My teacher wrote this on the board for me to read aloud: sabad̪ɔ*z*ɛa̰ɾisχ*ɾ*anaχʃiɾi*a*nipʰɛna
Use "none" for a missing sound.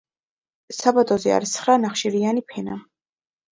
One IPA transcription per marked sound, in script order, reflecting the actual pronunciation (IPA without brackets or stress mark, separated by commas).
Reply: z, ɾ, a